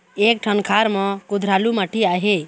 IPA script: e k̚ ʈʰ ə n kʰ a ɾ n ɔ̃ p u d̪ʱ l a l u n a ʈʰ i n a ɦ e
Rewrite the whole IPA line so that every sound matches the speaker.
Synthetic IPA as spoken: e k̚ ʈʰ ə n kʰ a ɾ m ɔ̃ k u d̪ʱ ɾ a l u m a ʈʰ i a ɦ e